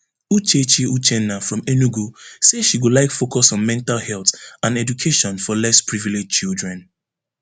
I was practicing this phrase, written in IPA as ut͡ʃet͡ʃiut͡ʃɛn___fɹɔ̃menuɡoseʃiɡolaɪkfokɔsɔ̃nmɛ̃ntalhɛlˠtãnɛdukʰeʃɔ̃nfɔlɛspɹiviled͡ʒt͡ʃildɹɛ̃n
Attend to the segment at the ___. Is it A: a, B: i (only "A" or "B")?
A